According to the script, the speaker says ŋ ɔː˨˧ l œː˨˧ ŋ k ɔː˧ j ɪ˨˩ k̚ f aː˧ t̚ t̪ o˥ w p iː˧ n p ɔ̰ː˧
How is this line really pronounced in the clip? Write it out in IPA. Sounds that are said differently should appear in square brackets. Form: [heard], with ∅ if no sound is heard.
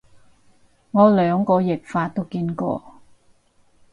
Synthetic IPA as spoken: ŋ ɔː˨˧ l œː˨˧ ŋ k ɔː˧ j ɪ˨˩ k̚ f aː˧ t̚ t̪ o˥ w [k] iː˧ n [k] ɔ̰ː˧